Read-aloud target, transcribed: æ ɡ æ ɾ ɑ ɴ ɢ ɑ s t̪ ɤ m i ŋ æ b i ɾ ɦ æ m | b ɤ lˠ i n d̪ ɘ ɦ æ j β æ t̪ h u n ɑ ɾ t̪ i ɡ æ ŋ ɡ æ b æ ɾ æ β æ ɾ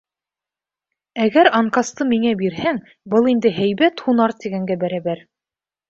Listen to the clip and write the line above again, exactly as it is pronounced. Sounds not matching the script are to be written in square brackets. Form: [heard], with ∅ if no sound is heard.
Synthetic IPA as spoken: æ ɡ æ ɾ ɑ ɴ [q] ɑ s t̪ ɤ m i ŋ æ b i ɾ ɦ æ [ŋ] | b ɤ lˠ i n d̪ ɘ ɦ æ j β æ t̪ h u n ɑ ɾ t̪ i ɡ æ ŋ ɡ æ b æ ɾ æ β æ ɾ